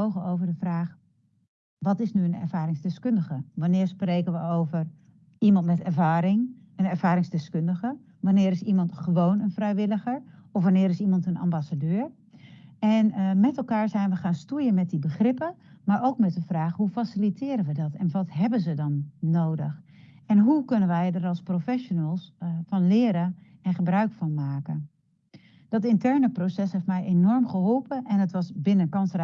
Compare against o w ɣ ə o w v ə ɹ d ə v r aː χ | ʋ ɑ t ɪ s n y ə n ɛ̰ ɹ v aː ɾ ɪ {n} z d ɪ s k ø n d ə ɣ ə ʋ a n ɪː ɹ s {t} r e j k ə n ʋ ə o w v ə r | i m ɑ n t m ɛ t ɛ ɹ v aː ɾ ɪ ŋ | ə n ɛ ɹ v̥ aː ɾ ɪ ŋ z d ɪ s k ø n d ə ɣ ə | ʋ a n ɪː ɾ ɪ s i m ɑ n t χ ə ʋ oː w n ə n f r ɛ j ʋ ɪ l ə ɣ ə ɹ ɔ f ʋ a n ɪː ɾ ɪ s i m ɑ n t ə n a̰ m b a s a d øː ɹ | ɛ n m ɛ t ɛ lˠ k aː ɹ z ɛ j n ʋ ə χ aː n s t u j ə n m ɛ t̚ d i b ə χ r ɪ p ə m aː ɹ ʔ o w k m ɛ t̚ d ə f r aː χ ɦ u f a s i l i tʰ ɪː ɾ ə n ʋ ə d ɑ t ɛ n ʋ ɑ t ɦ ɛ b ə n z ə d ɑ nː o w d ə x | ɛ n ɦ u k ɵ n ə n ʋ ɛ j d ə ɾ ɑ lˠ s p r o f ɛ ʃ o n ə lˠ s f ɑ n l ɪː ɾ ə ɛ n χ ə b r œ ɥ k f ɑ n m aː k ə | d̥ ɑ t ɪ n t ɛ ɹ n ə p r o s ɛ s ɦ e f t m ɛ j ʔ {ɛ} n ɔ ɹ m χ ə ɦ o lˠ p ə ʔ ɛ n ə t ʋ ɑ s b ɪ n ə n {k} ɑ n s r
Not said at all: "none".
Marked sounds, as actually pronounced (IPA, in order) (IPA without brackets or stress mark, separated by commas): ŋ, p, e, k